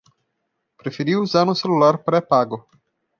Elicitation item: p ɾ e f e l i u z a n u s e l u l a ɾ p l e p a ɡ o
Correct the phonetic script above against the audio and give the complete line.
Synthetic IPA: p ɾ e f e ɾ i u z a n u s e l u l a ɾ p ɾ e p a ɡ o